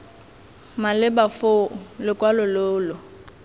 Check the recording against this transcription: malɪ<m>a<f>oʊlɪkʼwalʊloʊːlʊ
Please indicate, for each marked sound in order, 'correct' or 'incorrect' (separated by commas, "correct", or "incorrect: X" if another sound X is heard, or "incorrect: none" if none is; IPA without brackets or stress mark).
incorrect: b, correct